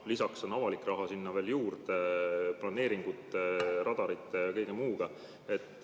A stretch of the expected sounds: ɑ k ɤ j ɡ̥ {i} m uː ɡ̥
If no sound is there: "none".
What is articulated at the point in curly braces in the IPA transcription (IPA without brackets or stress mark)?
e